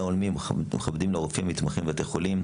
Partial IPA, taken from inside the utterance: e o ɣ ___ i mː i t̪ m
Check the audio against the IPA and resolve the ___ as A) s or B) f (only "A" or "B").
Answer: B